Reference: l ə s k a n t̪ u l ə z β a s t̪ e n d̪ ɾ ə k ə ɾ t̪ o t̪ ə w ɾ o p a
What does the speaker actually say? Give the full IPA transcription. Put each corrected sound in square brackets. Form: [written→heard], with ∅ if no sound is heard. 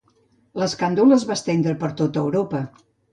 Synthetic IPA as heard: l ə s k a n [t̪→d̪] u l ə z β a s t̪ e n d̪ ɾ ə [k→p] ə ɾ t̪ o t̪ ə w ɾ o p [a→ə]